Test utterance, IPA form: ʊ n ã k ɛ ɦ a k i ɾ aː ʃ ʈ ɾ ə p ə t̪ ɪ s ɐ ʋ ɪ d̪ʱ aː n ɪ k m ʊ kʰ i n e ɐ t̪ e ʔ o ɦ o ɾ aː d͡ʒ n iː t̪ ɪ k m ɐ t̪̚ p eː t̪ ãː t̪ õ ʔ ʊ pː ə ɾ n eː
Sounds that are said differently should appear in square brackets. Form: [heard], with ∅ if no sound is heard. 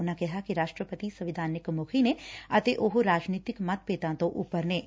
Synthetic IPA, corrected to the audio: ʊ n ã k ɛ ɦ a k i ɾ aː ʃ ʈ ɾ ə p ə t̪ [i] s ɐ ʋ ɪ d̪ʱ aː n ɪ k m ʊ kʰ i n e ɐ t̪ e ʔ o ɦ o ɾ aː d͡ʒ n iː t̪ ɪ k m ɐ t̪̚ p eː t̪ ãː t̪ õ ʔ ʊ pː ə ɾ n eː